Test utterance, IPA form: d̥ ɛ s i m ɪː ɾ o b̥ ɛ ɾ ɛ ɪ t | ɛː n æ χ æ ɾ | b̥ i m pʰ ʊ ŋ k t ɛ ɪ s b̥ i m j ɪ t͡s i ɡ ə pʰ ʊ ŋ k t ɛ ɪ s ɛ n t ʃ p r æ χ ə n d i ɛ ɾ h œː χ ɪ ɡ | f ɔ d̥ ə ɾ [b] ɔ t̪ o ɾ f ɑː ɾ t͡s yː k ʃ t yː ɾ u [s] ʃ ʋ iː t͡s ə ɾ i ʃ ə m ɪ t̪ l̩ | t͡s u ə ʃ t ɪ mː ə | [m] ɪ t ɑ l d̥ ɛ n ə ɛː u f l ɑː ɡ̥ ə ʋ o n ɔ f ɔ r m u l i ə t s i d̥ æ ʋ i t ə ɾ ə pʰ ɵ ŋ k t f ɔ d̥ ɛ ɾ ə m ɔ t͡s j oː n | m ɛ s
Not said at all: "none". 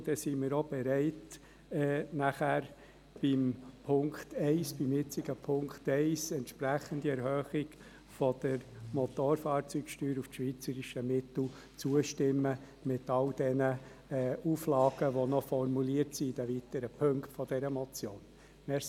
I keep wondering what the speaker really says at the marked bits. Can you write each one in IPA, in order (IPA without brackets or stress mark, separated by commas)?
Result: m, f, m